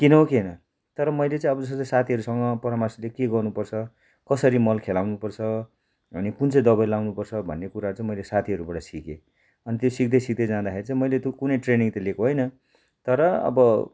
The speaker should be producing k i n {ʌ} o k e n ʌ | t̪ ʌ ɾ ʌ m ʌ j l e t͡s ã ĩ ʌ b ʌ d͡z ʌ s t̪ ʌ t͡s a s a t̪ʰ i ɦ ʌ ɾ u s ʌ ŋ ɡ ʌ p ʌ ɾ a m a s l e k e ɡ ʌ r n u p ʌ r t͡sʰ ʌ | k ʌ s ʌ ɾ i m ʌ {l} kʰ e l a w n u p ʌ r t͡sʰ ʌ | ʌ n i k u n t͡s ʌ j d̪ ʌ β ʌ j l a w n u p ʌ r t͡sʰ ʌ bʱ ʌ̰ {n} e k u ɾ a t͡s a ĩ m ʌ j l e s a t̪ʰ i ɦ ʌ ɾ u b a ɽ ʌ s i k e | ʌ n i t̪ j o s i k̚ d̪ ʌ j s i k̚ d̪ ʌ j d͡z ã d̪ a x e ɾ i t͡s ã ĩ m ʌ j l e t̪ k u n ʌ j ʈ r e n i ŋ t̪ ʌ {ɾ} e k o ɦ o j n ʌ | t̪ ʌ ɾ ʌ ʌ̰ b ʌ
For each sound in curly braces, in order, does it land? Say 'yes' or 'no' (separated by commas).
yes, yes, no, no